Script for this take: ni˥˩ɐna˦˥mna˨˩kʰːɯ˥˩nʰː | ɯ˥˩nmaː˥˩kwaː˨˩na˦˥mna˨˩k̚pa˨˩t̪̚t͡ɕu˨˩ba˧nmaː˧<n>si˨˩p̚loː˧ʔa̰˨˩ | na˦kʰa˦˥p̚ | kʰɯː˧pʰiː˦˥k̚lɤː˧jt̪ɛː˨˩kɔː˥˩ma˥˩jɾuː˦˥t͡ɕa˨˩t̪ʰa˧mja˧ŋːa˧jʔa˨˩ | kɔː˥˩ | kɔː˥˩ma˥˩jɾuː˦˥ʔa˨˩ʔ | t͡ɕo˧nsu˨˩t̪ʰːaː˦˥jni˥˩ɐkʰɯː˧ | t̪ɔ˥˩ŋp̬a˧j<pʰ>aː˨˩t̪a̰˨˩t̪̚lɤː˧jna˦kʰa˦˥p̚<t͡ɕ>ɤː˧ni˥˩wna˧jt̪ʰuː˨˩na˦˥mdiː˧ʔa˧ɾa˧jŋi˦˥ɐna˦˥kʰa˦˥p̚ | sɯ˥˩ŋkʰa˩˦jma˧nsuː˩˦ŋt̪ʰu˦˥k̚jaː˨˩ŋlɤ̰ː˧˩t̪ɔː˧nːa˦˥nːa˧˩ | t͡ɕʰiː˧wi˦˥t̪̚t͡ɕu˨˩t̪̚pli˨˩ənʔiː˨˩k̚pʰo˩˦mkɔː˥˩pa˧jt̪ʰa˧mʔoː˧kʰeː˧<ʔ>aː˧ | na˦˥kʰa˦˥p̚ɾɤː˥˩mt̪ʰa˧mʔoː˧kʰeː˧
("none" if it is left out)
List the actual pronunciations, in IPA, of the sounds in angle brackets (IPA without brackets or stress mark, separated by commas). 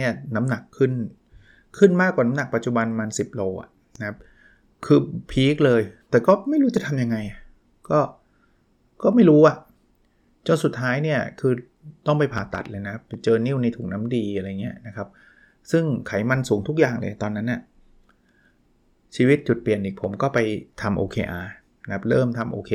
n, pʰ, t͡ɕ, ʔ